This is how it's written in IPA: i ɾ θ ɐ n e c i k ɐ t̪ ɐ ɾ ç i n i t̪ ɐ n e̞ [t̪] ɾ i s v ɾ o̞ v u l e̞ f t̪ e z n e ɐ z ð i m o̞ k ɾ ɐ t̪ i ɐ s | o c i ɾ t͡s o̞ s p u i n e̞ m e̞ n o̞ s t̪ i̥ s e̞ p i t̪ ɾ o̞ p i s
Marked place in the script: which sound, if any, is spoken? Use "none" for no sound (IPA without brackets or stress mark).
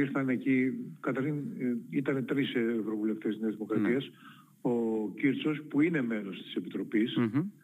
t̪